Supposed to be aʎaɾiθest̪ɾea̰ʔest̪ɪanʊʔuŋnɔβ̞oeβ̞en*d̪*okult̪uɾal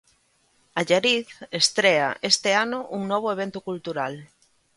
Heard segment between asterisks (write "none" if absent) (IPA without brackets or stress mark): t̪